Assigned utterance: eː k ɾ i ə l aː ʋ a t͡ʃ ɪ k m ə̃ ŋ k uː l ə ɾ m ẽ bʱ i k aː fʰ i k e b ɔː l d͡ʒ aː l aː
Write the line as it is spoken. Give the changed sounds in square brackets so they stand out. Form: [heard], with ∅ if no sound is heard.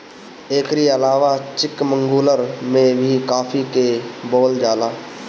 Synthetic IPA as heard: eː k ɾ i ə l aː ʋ a t͡ʃ ɪ k m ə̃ ŋ [ɡ] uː l ə ɾ m ẽ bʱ i k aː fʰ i k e b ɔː l d͡ʒ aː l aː